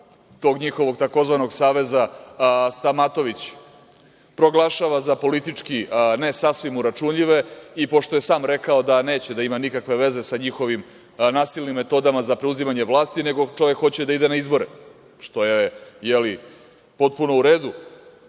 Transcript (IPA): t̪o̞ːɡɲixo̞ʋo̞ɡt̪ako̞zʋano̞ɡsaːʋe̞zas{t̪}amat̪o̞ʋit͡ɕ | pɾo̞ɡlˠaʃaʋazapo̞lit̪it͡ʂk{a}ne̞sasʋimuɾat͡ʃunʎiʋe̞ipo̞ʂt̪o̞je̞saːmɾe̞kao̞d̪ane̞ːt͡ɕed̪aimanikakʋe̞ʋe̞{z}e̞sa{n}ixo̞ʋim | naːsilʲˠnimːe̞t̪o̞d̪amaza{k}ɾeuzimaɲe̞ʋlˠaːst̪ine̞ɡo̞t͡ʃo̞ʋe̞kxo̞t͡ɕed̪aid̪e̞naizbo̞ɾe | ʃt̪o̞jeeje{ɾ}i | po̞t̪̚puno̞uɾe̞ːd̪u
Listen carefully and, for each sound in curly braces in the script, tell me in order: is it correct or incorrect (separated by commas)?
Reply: correct, incorrect, correct, incorrect, incorrect, incorrect